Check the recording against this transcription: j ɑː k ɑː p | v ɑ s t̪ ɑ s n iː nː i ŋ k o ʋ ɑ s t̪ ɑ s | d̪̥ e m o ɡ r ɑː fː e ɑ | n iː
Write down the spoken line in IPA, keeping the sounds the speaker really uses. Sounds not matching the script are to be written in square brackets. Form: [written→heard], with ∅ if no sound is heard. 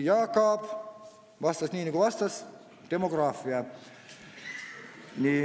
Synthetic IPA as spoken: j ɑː k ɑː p | [v→ʋ] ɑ s t̪ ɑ s n iː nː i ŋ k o ʋ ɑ s t̪ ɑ s | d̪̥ e m o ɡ r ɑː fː [e→i] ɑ | n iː